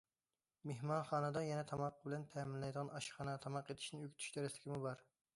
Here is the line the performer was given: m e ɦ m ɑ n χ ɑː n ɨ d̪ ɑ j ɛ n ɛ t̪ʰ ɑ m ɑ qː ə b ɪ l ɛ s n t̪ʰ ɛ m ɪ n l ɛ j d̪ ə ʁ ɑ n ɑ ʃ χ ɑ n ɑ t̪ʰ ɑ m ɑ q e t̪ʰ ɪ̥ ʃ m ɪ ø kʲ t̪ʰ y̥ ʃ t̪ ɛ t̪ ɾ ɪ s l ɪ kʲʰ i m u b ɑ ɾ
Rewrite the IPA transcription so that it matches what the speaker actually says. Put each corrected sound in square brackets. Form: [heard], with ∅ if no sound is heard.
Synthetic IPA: m e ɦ m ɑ n χ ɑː n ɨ d̪ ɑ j ɛ n ɛ t̪ʰ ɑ m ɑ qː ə b ɪ l ɛ [∅] n t̪ʰ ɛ m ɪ n l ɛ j d̪ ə ʁ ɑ n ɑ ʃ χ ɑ n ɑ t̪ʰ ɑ m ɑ q e t̪ʰ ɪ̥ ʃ [n] ɪ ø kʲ t̪ʰ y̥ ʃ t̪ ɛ [∅] ɾ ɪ s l ɪ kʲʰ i m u b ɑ ɾ